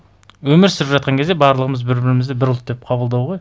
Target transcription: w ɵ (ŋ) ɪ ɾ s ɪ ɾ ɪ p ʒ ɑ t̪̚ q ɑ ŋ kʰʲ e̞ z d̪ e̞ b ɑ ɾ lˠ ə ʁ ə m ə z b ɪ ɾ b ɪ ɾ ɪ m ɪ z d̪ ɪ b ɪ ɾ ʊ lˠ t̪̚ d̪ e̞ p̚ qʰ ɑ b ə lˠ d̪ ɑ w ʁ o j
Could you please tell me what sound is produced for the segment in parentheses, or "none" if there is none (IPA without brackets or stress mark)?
m